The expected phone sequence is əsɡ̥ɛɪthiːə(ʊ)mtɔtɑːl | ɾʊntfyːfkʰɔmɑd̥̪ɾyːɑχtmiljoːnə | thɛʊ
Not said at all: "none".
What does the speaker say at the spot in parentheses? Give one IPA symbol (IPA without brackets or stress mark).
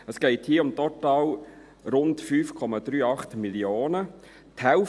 ʊ